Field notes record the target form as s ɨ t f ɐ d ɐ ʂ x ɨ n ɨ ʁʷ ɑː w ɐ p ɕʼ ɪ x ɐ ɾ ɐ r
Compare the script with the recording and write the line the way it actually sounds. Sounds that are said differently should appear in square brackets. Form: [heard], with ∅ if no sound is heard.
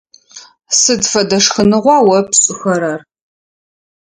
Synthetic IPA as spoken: s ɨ [d] f ɐ d ɐ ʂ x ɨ n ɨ ʁʷ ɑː w ɐ p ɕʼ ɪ x ɐ ɾ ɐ r